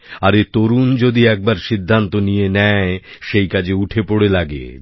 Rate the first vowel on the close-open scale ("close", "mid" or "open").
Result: open